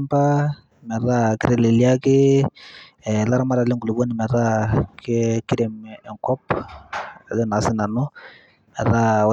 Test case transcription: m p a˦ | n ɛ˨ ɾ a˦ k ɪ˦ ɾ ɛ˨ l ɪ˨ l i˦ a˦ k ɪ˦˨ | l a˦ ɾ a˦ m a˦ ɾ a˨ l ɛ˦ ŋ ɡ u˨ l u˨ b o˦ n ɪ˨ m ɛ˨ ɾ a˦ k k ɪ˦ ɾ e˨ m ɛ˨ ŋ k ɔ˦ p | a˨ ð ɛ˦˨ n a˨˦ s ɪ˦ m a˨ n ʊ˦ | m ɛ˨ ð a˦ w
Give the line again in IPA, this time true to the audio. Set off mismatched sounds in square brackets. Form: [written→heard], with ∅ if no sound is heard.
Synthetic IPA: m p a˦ | [n→m] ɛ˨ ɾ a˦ k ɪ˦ ɾ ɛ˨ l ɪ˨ l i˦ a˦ k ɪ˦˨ | l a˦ ɾ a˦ m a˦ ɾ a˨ l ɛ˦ ŋ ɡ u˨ l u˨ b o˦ n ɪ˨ m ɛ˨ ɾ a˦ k k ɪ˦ ɾ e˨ m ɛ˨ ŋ k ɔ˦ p | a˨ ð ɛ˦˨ n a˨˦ s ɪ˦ [m→n] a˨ n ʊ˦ | m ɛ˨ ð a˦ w